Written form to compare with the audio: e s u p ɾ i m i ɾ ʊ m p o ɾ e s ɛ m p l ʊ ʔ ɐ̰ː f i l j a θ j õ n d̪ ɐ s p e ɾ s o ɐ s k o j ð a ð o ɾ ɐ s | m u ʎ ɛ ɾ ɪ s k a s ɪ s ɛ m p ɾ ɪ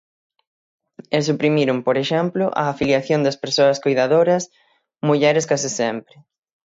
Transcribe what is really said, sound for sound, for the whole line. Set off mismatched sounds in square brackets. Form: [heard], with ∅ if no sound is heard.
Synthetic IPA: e s u p ɾ i m i ɾ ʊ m p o ɾ e [ʃ] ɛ m p l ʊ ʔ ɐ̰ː f i l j a θ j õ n d̪ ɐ s p e ɾ s o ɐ s k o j ð a ð o ɾ ɐ s | m u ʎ ɛ ɾ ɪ s k a s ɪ s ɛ m p ɾ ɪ